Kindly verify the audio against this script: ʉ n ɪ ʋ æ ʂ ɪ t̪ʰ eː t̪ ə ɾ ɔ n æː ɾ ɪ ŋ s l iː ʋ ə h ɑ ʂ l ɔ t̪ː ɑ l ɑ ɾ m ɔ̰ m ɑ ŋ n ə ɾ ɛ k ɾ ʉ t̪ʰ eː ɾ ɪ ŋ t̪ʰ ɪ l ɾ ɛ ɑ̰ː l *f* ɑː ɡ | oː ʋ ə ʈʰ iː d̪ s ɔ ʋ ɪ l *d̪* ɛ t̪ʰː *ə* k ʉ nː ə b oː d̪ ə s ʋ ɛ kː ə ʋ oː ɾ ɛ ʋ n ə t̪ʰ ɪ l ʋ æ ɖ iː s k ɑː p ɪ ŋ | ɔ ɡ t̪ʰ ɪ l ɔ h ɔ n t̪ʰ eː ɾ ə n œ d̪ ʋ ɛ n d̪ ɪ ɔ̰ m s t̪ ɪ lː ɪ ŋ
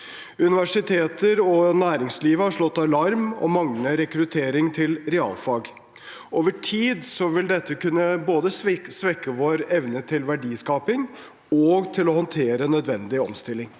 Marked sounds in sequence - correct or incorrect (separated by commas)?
correct, correct, correct